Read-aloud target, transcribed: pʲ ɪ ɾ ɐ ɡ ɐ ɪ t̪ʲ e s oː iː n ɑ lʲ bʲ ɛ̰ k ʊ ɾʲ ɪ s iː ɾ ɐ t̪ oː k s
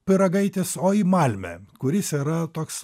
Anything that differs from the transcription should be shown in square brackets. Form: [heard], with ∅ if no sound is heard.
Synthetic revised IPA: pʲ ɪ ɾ ɐ ɡ ɐ ɪ t̪ʲ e s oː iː [m] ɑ lʲ [mʲ] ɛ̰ k ʊ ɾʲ ɪ s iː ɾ ɐ t̪ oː k s